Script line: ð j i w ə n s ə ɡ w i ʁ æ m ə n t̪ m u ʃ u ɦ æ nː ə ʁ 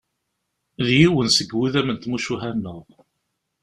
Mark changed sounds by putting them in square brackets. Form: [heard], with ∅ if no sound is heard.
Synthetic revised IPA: ð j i w ə n s ə ɡ w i [ð] æ m ə n t̪ m u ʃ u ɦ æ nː ə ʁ